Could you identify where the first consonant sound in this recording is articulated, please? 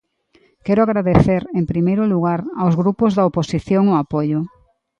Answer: velar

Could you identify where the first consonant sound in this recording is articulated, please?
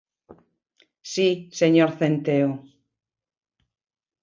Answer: alveolar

